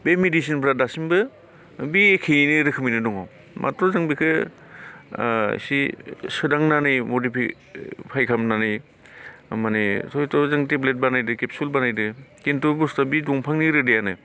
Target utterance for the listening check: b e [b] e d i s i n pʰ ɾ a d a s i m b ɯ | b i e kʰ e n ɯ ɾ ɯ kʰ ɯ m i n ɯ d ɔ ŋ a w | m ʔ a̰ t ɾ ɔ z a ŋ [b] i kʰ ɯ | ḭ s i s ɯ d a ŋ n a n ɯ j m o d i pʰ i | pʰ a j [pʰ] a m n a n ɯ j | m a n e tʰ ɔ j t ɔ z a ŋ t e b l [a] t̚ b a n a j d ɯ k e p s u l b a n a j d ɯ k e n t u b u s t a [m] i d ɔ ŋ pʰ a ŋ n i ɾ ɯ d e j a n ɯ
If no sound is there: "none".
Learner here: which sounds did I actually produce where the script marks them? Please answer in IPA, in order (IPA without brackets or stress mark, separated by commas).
m, b, kʰ, e, b